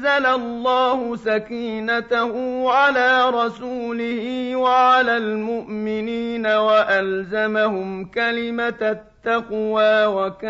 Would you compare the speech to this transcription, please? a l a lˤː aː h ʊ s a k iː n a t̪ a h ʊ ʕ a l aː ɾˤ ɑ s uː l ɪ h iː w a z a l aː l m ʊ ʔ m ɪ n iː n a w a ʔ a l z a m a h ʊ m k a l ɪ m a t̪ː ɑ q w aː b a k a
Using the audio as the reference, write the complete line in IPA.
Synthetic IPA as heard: a l a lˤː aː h ʊ s a k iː n a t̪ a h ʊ ʕ a l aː ɾˤ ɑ s uː l ɪ h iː w a ʕ a l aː l m ʊ ʔ m ɪ n iː n a w a ʔ a l z a m a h ʊ m k a l ɪ m a t̪ː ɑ q w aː w a k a